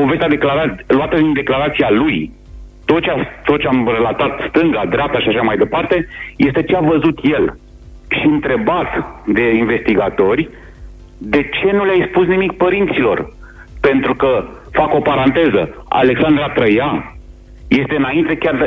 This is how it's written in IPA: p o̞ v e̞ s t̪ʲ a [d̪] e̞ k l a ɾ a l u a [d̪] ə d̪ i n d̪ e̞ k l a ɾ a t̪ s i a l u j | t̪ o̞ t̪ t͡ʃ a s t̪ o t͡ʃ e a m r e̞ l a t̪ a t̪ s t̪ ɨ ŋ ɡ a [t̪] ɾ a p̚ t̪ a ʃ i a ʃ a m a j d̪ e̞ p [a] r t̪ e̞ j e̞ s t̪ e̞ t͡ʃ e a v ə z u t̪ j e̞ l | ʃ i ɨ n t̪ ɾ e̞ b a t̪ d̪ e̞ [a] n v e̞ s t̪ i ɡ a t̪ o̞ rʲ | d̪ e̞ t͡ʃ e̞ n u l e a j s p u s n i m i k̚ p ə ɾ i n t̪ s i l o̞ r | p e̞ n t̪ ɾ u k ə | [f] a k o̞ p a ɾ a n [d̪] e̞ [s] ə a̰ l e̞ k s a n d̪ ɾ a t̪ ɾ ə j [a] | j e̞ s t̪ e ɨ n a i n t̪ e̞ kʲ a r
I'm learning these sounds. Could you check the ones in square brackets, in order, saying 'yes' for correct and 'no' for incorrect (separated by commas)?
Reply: yes, no, no, yes, no, yes, no, no, yes